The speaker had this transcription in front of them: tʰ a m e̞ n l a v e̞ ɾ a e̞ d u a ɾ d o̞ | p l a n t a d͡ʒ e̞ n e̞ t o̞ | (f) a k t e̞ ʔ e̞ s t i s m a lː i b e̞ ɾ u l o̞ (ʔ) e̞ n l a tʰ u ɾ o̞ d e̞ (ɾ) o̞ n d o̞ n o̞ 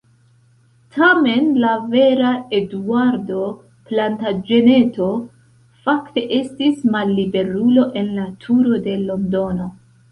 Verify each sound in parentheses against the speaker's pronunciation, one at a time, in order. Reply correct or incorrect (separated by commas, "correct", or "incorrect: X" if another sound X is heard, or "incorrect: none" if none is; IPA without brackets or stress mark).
correct, correct, incorrect: l